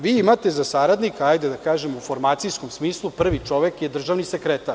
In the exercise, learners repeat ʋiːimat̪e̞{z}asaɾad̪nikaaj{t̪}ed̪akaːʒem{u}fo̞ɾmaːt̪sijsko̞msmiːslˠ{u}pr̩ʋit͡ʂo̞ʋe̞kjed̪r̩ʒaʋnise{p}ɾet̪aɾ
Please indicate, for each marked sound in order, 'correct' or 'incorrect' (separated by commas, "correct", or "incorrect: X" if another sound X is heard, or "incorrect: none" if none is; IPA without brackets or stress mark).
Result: correct, incorrect: d̪, correct, correct, incorrect: k